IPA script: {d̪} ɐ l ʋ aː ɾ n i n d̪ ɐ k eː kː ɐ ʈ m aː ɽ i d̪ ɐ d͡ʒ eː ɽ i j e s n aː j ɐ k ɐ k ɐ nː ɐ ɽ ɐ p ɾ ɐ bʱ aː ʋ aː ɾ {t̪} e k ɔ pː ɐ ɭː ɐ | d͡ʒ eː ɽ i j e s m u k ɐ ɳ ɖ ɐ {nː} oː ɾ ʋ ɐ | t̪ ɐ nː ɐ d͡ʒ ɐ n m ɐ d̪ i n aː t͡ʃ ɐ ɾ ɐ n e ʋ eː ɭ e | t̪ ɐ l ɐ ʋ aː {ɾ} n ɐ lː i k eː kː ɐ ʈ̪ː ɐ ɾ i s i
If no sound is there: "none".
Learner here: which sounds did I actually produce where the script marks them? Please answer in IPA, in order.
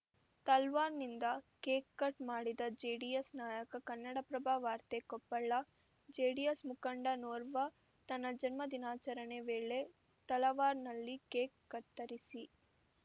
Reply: t̪, t̪, n, ɾ

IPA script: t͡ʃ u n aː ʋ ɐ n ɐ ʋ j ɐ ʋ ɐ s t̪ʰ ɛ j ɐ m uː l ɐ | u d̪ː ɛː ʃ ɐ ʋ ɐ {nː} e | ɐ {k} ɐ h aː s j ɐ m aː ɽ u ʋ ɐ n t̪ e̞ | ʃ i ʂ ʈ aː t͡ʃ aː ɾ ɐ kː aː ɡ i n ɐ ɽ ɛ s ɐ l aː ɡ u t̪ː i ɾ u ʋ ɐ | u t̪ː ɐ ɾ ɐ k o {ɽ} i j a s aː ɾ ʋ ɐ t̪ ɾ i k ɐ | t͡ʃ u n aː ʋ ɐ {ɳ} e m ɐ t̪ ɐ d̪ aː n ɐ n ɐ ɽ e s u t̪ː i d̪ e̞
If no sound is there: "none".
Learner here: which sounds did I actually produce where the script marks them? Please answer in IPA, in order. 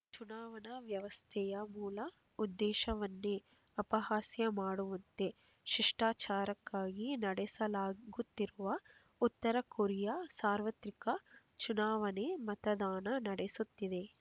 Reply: nː, p, ɾ, n

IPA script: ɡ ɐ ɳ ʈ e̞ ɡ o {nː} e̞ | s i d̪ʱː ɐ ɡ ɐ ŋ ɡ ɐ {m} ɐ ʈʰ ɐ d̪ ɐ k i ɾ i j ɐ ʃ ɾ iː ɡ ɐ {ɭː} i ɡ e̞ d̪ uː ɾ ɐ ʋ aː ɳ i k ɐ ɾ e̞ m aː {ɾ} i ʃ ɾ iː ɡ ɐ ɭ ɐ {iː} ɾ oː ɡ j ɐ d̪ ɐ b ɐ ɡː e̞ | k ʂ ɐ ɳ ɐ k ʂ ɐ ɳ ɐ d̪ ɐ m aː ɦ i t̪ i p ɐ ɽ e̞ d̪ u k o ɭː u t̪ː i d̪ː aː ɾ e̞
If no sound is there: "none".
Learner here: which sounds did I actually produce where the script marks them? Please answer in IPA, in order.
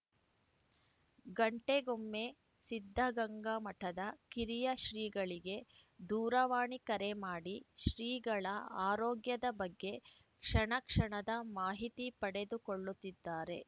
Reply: mː, m, ɭ, ɽ, aː

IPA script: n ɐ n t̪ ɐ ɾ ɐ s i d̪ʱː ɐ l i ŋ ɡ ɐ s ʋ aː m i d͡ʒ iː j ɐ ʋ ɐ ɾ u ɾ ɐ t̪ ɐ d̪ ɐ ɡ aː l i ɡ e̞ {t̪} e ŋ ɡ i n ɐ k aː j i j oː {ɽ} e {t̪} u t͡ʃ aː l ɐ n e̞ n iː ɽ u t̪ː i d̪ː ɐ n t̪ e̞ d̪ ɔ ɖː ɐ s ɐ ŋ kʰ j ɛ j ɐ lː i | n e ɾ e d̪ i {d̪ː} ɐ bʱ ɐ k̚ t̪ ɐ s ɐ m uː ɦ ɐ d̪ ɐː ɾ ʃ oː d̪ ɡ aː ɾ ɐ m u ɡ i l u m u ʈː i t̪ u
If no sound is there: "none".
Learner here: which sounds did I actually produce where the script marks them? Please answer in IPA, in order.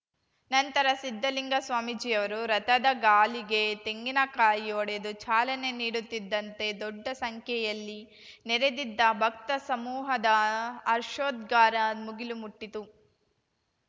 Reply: t̪, ɽ, d̪, d̪ː

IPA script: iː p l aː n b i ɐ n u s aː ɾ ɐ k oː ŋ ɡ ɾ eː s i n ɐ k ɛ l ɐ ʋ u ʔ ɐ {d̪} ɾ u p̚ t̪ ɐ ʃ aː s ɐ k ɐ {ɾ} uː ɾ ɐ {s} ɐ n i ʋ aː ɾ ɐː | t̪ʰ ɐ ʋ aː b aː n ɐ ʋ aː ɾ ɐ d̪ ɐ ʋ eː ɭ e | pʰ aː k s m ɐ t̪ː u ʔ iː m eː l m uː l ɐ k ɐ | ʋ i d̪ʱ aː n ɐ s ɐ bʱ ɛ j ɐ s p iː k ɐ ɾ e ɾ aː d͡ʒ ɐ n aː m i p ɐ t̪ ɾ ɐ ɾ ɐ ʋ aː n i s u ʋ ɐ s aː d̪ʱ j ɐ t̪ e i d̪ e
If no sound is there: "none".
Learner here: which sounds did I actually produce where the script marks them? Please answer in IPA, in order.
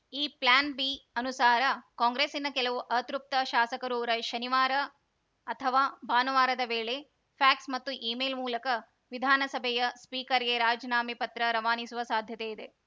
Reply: t̪, ɾ, ʃ

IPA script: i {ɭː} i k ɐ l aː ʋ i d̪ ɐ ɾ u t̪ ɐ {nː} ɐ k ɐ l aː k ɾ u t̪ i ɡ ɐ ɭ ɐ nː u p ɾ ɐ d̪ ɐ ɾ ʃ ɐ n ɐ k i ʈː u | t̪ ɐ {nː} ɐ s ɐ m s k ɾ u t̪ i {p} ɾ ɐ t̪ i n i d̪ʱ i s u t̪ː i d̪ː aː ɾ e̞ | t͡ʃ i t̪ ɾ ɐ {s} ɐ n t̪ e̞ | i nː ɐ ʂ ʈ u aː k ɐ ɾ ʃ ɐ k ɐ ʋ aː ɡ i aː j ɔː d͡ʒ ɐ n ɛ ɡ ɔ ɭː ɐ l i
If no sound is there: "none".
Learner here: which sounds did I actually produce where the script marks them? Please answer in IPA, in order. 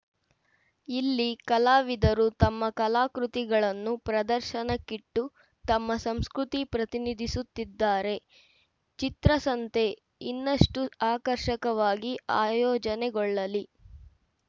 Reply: lː, mː, mː, p, s

